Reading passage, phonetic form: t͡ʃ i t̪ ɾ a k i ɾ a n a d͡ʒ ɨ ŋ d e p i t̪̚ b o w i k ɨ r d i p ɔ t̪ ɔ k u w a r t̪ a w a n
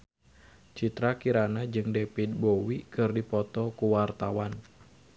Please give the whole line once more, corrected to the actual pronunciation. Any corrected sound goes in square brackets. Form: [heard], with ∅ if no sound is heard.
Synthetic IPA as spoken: t͡ʃ i t̪ ɾ a k i ɾ a n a d͡ʒ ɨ ŋ d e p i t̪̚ b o w i k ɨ r d i p ɔ t̪ ɔ k u w a r t̪ a w a n